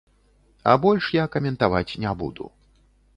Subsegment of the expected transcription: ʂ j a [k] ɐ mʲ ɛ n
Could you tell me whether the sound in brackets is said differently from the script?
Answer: no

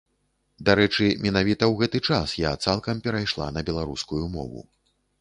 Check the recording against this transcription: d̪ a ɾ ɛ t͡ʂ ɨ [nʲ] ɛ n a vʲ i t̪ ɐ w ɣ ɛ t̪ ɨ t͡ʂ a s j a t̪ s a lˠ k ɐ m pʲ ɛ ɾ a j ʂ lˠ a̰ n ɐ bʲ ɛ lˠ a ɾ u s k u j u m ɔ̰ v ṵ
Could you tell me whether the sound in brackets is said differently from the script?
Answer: yes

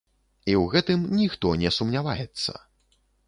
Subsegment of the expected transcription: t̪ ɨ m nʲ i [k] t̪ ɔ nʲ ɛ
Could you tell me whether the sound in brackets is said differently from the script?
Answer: yes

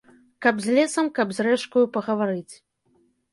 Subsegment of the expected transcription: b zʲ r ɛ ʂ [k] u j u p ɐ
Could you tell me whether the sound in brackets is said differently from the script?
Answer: no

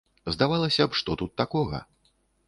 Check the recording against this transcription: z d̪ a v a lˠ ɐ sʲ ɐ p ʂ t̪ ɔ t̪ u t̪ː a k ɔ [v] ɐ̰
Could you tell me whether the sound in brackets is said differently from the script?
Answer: yes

